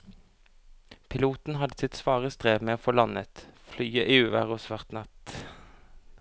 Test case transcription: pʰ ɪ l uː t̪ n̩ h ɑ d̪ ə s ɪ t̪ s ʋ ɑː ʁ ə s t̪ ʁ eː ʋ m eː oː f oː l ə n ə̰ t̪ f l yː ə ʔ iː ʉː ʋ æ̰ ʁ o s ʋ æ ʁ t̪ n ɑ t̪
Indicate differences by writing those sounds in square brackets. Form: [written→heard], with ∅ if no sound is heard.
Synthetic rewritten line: pʰ ɪ l uː t̪ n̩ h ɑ d̪ ə s ɪ t̪ s ʋ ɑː ʁ ə s t̪ ʁ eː ʋ m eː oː f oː l [ə→ɑ] n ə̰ t̪ f l yː ə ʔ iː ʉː ʋ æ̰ ʁ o s ʋ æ ʁ t̪ n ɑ t̪